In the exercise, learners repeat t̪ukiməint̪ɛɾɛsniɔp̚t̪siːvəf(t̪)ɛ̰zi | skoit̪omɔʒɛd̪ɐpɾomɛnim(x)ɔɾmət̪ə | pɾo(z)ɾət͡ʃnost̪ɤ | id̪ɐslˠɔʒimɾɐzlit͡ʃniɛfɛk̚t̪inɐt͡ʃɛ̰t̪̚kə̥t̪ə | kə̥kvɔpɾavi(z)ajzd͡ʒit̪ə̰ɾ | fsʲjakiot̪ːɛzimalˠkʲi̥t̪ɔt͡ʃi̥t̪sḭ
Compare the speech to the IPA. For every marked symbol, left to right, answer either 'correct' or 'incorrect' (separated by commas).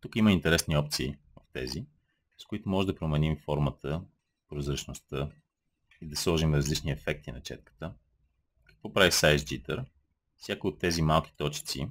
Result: correct, incorrect, correct, incorrect